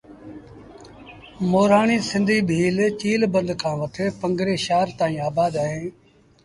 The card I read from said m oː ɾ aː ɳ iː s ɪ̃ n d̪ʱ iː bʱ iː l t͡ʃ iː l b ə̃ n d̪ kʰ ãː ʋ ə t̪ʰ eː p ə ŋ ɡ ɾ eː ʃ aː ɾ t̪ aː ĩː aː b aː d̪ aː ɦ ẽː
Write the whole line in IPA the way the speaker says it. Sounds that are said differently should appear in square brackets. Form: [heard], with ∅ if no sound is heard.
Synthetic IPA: m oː ɾ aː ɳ iː s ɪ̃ n d̪ʱ iː bʱ iː l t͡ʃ iː l b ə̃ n d̪ kʰ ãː ʋ ə t̪ʰ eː p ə ŋ ɡ ɾ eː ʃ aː ɾ t̪ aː ĩː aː b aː d̪ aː ɦ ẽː